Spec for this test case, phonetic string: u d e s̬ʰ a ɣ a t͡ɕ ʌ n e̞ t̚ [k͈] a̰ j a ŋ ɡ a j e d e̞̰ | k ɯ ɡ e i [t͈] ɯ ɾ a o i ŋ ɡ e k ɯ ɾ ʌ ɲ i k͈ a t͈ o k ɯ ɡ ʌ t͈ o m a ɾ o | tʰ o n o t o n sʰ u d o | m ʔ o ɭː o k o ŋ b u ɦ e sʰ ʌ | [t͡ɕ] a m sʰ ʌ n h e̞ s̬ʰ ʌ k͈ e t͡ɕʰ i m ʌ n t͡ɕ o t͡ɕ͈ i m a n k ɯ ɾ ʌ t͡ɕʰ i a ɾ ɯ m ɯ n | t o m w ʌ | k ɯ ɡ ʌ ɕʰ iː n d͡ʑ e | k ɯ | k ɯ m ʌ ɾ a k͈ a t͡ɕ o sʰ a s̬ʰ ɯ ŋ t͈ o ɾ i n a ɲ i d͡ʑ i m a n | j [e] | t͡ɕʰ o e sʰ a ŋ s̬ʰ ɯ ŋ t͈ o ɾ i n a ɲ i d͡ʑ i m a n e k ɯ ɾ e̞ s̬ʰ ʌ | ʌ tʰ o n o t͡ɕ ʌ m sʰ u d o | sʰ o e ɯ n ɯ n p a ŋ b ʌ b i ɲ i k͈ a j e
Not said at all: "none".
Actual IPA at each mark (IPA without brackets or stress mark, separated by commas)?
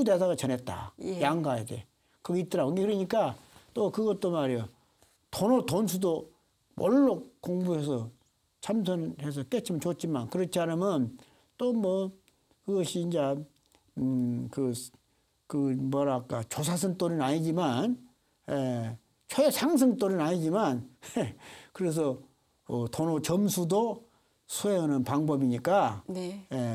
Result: t͈, t͈, t͡ɕʰ, e